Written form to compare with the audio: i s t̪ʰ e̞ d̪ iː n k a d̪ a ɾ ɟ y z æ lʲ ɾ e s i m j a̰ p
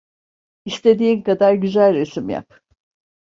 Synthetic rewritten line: i s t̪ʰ e̞ d̪ iː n k a d̪ a ɾ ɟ y z æ lʲ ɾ e s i m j a̰ p